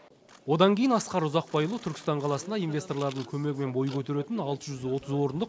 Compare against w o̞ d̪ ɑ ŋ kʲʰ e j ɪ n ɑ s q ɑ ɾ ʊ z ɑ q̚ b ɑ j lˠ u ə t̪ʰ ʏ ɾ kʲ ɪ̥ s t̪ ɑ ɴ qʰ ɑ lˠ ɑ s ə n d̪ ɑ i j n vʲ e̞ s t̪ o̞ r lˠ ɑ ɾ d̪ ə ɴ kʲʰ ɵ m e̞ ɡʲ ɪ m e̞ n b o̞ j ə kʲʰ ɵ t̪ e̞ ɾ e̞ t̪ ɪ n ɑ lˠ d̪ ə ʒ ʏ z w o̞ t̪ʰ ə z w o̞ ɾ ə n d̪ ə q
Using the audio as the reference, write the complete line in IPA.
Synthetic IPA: w o̞ d̪ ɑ ŋ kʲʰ e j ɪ n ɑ s q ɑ ɾ ʊ z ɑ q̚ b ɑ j lˠ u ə t̪ʰ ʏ ɾ kʲ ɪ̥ s t̪ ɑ ɴ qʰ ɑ lˠ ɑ s ə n d̪ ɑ i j n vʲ e̞ s t̪ o̞ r lˠ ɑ ɾ d̪ ə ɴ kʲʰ ɵ m e̞ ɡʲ ɪ m e̞ n b o̞ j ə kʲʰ ɵ t̪ e̞ ɾ e̞ t̪ ɪ n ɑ lˠ t̪ ə ʒ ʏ z w o̞ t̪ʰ ə z w o̞ ɾ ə n d̪ ə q